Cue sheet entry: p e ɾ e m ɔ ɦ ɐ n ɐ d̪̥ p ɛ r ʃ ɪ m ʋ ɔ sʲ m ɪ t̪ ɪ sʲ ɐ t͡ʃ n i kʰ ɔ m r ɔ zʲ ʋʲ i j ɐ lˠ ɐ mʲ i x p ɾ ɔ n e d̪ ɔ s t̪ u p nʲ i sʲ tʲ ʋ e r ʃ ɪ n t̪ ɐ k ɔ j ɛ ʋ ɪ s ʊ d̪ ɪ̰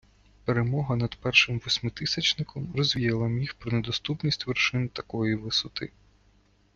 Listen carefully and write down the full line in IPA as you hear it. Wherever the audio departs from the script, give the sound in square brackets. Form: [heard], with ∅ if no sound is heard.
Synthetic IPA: p e ɾ e m ɔ ɦ ɐ n ɐ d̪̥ p ɛ r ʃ ɪ m ʋ ɔ sʲ m ɪ t̪ ɪ sʲ ɐ t͡ʃ n [ɪ] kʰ ɔ m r ɔ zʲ ʋʲ i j ɐ lˠ ɐ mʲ i x p ɾ ɔ n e d̪ ɔ s t̪ u p nʲ i sʲ tʲ ʋ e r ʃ ɪ n t̪ ɐ k ɔ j [i] ʋ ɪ s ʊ [t̪] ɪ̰